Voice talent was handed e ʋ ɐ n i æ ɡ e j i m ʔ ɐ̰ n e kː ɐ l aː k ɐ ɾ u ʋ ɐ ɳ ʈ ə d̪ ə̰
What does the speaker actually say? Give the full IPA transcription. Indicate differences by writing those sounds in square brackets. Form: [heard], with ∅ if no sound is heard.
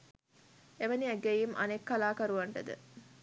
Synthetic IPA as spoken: e ʋ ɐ n i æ ɡ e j i m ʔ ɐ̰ n e kː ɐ l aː k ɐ ɾ u ʋ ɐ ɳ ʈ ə d̪ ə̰